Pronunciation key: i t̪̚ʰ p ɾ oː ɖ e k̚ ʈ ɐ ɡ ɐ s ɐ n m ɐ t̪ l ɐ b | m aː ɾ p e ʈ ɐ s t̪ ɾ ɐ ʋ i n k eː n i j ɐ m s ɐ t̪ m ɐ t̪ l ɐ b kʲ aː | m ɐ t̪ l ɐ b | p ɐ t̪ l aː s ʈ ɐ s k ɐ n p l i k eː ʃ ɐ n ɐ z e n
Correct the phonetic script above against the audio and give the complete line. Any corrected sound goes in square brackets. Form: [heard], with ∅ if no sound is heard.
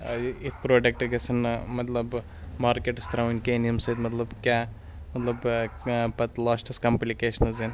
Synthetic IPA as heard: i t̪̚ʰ p ɾ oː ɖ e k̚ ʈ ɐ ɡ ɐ s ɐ n m ɐ t̪ l ɐ b | m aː ɾ [k] e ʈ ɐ s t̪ ɾ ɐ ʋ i n k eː n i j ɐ m s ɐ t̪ m ɐ t̪ l ɐ b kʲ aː | m ɐ t̪ l ɐ b | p ɐ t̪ l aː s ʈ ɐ s k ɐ [m] p l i k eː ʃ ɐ n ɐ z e n